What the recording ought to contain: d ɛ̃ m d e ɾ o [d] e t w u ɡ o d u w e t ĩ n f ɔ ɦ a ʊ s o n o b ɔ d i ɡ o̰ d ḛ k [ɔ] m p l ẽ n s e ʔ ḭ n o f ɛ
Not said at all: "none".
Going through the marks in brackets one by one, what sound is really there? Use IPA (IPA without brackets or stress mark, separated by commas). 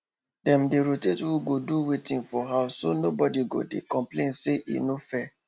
t, ɔ̃